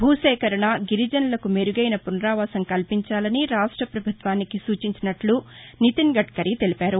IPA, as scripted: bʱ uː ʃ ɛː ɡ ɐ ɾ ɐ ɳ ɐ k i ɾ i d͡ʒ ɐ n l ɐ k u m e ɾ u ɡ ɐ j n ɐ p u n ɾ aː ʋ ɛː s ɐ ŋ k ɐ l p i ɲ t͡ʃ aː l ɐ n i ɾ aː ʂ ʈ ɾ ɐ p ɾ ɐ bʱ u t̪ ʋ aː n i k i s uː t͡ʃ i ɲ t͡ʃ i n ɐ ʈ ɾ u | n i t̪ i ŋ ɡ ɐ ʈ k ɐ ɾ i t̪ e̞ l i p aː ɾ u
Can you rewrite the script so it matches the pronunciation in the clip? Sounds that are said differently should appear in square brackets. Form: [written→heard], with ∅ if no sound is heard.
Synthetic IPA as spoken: bʱ uː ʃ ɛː [ɡ→k] ɐ ɾ ɐ ɳ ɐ [k→ɡ] i ɾ i d͡ʒ ɐ n l ɐ k u m e ɾ u ɡ ɐ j n ɐ p u n ɾ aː ʋ [ɛː→aː] s ɐ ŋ k ɐ l p i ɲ t͡ʃ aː l ɐ n i ɾ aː ʂ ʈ ɾ ɐ p ɾ ɐ bʱ u t̪ ʋ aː n i k i s uː t͡ʃ i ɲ t͡ʃ i n ɐ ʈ [ɾ→l] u | n i t̪ i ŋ ɡ ɐ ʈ k ɐ ɾ i t̪ e̞ l i p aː ɾ u